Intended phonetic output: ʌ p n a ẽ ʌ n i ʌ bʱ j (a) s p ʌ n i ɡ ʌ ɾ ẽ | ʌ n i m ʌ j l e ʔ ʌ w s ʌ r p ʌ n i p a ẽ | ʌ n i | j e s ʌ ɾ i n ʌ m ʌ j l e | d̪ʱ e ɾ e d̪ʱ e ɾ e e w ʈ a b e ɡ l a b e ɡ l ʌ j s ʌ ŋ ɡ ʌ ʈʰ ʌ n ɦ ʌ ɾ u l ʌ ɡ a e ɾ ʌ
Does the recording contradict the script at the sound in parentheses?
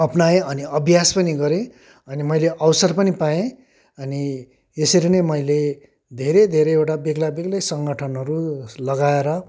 no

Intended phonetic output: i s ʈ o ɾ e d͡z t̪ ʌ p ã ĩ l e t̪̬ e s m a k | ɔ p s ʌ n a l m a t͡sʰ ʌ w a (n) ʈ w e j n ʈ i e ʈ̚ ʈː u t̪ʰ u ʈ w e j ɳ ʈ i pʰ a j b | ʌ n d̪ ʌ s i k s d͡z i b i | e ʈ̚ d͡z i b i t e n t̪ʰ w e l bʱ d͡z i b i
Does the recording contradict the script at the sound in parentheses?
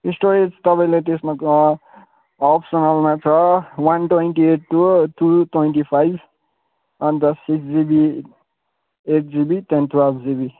no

